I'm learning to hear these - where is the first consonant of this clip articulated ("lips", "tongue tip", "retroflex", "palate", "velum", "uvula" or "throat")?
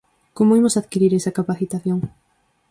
velum